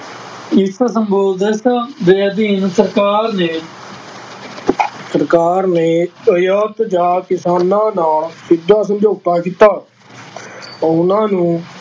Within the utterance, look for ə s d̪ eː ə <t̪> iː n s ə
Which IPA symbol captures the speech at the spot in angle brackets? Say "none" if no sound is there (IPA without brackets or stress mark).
d̪